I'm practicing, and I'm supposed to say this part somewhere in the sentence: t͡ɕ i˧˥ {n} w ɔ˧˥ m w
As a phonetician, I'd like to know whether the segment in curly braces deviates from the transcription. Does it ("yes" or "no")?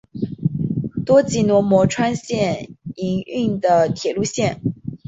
no